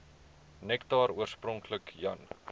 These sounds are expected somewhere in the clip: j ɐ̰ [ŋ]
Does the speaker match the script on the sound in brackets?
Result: no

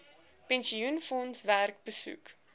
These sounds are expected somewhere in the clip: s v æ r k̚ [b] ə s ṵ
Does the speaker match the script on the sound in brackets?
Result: yes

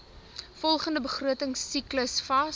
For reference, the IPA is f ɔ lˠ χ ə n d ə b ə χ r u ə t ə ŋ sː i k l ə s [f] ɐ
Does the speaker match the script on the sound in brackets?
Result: yes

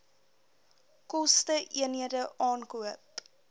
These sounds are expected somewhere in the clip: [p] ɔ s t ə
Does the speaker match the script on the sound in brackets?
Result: no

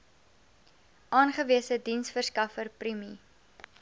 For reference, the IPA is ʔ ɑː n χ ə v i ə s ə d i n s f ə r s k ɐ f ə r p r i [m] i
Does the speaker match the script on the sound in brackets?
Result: yes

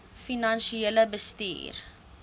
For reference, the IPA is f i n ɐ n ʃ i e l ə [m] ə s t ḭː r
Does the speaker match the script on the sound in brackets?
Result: no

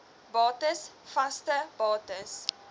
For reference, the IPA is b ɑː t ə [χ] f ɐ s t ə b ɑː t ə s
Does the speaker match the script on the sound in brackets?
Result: no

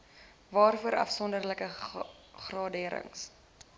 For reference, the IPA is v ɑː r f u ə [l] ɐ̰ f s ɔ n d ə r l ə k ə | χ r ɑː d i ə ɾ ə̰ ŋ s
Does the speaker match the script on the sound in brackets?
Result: no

